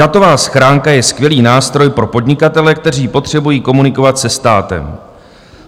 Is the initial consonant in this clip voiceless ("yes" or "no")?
yes